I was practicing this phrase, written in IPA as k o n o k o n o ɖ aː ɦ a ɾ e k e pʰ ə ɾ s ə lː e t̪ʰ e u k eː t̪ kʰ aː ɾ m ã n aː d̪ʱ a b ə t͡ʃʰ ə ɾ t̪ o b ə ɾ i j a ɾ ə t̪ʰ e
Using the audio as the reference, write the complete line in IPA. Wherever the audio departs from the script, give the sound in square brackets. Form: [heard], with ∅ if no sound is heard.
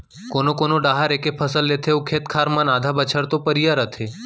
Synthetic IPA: k o n o k o n o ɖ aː ɦ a ɾ e k e pʰ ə [∅] s ə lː e t̪ʰ e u [kʰ] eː t̪ kʰ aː ɾ m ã n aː d̪ʱ a b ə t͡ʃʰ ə ɾ t̪ o [p] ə ɾ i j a ɾ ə t̪ʰ e